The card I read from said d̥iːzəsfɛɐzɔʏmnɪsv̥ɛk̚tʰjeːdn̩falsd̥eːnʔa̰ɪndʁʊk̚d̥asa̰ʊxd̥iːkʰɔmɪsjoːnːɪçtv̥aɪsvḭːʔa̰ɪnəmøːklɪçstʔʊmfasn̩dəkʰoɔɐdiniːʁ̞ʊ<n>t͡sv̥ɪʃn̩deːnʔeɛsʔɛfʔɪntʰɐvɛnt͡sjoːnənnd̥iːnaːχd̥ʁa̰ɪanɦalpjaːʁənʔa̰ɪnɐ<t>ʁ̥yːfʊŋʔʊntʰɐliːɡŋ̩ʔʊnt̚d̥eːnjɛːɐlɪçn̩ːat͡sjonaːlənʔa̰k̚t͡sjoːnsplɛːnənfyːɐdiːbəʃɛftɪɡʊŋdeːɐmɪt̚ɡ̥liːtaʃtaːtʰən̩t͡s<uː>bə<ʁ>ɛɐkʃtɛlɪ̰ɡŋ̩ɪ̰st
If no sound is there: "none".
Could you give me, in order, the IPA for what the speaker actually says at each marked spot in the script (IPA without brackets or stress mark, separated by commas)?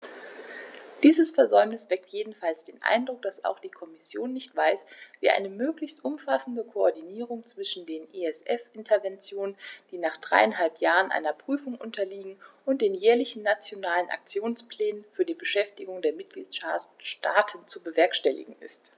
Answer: ŋ, p, u, v